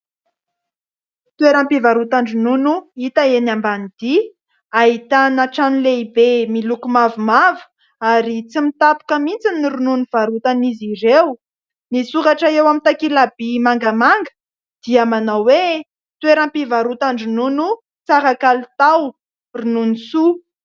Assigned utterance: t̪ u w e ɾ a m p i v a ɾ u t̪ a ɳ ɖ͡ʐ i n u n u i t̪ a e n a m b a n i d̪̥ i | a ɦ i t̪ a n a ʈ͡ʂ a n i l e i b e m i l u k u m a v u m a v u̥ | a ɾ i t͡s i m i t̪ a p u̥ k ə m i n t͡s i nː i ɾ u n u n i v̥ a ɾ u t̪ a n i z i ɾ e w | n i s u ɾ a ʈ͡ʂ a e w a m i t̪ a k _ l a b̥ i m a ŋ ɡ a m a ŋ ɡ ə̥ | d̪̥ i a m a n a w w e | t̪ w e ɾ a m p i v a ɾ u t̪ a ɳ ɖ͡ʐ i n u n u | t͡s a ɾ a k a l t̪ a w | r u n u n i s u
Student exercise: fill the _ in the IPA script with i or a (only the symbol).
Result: i